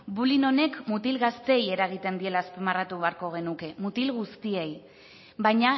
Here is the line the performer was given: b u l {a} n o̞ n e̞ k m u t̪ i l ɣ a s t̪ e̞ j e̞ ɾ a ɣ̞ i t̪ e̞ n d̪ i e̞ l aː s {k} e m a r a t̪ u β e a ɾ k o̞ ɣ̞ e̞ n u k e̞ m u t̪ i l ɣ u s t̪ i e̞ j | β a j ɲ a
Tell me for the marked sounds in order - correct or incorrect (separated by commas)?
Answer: incorrect, incorrect